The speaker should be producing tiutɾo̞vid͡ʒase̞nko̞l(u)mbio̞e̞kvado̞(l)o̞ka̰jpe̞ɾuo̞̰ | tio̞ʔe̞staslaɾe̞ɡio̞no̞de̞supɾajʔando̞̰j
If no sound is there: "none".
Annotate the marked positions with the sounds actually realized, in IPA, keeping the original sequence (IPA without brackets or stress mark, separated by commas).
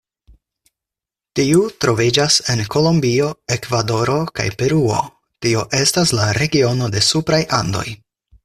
o, ɾ